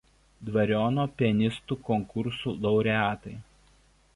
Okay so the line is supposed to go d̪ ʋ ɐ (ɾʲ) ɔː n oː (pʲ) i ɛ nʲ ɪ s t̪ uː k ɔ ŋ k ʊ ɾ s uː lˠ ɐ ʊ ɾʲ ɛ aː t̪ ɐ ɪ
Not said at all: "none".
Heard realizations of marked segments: ɾʲ, pʲ

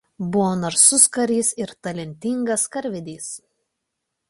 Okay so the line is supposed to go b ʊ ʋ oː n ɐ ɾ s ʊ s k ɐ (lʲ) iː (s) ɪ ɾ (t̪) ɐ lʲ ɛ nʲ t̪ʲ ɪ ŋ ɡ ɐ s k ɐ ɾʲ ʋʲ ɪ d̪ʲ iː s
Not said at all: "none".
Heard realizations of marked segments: ɾʲ, s, t̪

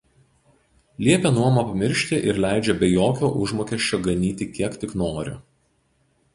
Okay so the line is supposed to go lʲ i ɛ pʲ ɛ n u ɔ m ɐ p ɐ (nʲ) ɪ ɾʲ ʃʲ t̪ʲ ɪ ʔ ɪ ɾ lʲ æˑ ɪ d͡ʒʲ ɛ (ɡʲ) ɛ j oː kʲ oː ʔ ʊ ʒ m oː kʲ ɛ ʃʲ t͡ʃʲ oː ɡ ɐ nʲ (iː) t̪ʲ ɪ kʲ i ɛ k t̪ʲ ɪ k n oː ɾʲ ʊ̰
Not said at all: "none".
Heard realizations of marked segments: mʲ, bʲ, iː

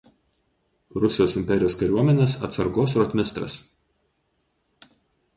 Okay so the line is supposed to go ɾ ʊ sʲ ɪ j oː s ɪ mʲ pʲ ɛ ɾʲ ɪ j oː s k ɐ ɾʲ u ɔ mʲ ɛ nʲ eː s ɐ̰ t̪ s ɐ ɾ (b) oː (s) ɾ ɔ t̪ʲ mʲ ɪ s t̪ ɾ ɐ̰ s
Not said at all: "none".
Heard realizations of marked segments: ɡ, s

